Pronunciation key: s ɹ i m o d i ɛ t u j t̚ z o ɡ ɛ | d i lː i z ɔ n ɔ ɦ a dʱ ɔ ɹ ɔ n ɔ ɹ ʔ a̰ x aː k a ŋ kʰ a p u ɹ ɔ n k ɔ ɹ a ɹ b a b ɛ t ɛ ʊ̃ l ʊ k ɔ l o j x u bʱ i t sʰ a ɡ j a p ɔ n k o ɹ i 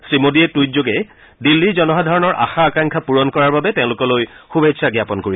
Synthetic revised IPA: s ɹ i m o d i ɛ t u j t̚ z o ɡ ɛ | d i lː i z ɔ n ɔ ɦ a dʱ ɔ ɹ ɔ n ɔ ɹ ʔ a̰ x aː k a ŋ kʰ a p u ɹ ɔ n k ɔ ɹ a ɹ b a b ɛ t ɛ ʊ̃ l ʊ k ɔ l o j x u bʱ e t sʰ a ɡ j a p ɔ n k o ɹ i